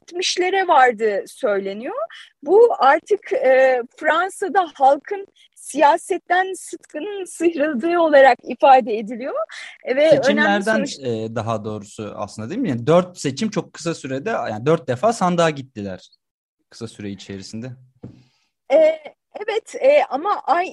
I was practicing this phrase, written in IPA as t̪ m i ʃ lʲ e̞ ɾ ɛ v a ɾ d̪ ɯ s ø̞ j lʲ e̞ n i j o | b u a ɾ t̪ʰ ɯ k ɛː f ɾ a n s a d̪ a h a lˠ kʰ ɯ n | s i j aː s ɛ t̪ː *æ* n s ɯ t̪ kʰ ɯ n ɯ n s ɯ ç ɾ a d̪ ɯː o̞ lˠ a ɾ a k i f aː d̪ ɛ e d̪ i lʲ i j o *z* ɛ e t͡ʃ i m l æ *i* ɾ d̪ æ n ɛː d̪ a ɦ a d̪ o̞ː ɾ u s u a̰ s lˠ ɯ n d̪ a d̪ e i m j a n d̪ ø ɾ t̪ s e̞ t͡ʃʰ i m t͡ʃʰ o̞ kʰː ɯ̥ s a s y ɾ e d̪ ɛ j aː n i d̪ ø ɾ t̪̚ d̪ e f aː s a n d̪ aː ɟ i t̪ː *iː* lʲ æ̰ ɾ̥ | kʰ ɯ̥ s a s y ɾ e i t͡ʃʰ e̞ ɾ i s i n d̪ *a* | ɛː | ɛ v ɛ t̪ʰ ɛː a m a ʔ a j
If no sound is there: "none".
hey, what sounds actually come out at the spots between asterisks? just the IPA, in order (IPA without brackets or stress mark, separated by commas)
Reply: æ, v, æ, i, ɛ